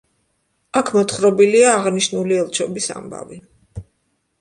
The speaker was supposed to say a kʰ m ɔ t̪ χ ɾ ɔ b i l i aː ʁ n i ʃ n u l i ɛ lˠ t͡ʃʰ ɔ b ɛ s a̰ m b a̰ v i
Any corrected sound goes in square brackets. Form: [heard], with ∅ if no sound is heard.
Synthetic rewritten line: a kʰ m ɔ t̪ χ ɾ ɔ b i l i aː ʁ n i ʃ n u l i ɛ lˠ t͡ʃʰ ɔ b [i] s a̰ m b a̰ v i